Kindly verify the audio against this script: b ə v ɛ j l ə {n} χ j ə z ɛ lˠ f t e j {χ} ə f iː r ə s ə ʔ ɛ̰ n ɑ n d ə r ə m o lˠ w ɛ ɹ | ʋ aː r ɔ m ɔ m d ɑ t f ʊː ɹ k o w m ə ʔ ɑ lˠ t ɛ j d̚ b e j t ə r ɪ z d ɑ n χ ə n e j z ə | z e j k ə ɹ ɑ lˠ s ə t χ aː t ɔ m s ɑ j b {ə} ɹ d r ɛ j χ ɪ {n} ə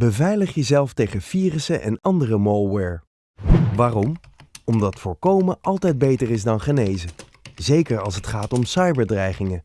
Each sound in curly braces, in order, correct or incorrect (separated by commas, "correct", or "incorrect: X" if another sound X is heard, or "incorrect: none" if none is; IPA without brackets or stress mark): incorrect: none, correct, correct, incorrect: ŋ